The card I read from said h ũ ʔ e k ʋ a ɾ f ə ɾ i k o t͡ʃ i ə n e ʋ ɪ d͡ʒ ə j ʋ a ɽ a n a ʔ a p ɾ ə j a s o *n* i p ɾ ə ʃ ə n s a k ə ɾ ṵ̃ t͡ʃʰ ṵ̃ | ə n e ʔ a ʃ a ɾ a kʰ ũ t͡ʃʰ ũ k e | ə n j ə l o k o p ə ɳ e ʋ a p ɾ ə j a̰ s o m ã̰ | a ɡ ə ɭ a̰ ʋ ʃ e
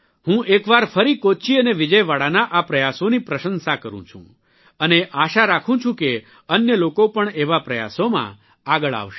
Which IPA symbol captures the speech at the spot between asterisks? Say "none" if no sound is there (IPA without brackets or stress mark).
n